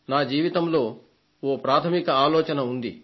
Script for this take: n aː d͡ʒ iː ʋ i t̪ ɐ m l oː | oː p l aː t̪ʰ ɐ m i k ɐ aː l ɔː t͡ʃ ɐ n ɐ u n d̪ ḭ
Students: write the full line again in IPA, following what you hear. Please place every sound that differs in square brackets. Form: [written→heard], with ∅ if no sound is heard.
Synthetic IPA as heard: n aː d͡ʒ iː ʋ i t̪ ɐ m l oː | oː p [l→ɾ] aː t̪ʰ ɐ m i k ɐ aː l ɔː t͡ʃ ɐ n ɐ u n d̪ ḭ

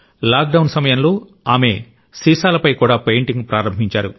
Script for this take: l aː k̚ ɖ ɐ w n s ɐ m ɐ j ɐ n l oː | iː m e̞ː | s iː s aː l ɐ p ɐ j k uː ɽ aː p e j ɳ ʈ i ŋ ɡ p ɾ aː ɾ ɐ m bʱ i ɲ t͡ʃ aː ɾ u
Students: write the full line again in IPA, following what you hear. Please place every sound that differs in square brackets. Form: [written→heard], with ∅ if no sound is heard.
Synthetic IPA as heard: l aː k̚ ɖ ɐ w n s ɐ m ɐ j ɐ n l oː | [iː→aː] m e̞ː | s iː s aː l ɐ p ɐ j k uː ɽ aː p e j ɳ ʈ i ŋ ɡ p ɾ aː ɾ ɐ m bʱ i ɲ t͡ʃ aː ɾ u

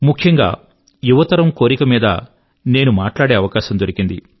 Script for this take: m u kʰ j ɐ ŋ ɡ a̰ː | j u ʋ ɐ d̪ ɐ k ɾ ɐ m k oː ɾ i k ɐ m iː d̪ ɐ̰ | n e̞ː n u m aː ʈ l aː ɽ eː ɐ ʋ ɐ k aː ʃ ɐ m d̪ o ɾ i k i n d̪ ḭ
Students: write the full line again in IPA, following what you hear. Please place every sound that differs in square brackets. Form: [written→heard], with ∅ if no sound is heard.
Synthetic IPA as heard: m u kʰ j ɐ ŋ ɡ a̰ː | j u ʋ ɐ [d̪→t̪] ɐ [k→∅] ɾ ɐ m k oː ɾ i k ɐ m iː d̪ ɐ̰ | n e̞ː n u m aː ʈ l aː ɽ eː ɐ ʋ ɐ k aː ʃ ɐ m d̪ o ɾ i k i n d̪ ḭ

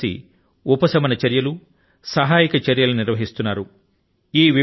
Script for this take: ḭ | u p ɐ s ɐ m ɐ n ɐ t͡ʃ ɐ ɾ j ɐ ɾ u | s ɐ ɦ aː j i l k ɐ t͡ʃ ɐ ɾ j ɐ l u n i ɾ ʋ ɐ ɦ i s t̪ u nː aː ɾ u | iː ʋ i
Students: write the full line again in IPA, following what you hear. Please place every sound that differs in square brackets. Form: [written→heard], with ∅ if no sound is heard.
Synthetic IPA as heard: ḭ | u p ɐ s ɐ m ɐ n ɐ t͡ʃ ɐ ɾ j ɐ [ɾ→l] u | s ɐ ɦ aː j i [l→∅] k ɐ t͡ʃ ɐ ɾ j ɐ l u n i ɾ ʋ ɐ ɦ i s t̪ u nː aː ɾ u | iː ʋ i

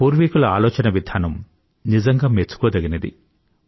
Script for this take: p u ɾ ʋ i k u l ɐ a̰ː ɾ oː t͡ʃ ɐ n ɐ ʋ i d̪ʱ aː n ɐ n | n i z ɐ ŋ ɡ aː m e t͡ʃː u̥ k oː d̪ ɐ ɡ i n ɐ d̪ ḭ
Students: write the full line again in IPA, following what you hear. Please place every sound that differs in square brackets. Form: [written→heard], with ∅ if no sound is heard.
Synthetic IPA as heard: p [u→uː] ɾ ʋ i k u l ɐ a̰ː [ɾ→l] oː t͡ʃ ɐ n ɐ ʋ i d̪ʱ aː n ɐ [n→m] | n i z ɐ ŋ ɡ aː m e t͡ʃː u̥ k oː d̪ ɐ ɡ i n ɐ d̪ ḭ

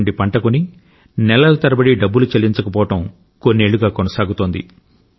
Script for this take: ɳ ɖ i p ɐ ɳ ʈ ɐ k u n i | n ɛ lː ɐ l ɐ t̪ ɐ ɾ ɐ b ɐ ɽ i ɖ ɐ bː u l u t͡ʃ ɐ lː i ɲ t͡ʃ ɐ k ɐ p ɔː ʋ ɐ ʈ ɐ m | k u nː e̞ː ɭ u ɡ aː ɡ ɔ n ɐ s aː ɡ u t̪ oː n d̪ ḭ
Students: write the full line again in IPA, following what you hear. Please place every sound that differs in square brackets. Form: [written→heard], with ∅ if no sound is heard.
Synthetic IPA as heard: ɳ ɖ i p ɐ ɳ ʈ ɐ k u n i | n ɛ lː ɐ l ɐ t̪ ɐ ɾ ɐ b ɐ ɽ i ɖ ɐ bː u l u t͡ʃ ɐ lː i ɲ t͡ʃ ɐ k ɐ p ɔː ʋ ɐ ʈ ɐ m | k [u→o] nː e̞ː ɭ u ɡ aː [ɡ→k] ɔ n ɐ s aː ɡ u t̪ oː n d̪ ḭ

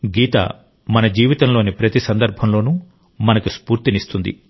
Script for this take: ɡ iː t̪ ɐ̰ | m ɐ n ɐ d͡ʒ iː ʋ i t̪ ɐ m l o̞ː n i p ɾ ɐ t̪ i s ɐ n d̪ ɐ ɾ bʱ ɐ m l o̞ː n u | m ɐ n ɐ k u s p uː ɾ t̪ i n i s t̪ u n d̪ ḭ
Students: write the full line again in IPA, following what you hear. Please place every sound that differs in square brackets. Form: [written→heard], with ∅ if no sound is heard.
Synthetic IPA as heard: ɡ iː t̪ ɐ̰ | m ɐ n ɐ d͡ʒ iː ʋ i t̪ ɐ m l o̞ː n i p ɾ ɐ t̪ i s ɐ n d̪ ɐ ɾ bʱ ɐ m l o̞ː n u | m ɐ n ɐ k u s p uː ɾ t̪ i n i s t̪ u n d̪ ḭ

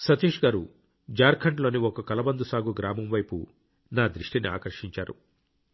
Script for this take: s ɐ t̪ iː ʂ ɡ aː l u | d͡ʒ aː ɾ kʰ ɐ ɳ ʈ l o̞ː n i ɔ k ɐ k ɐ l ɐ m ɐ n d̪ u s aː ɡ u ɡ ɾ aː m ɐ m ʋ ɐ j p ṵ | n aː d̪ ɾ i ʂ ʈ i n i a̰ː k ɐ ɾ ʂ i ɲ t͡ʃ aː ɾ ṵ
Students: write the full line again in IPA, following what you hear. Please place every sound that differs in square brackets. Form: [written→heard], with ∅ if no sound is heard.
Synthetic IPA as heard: s ɐ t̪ iː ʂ ɡ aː [l→ɾ] u | d͡ʒ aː ɾ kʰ ɐ ɳ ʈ l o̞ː n i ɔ k ɐ k ɐ l ɐ [m→b] ɐ n d̪ u s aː ɡ u ɡ ɾ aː m ɐ m ʋ ɐ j p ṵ | n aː d̪ ɾ i ʂ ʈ i n i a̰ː k ɐ ɾ ʂ i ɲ t͡ʃ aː ɾ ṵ

